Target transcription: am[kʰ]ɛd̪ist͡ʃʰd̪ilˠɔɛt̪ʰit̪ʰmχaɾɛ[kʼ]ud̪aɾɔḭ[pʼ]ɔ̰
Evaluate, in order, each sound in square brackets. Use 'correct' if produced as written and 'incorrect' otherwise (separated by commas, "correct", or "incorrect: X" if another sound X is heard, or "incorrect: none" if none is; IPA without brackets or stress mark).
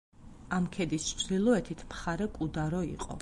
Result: correct, correct, incorrect: qʼ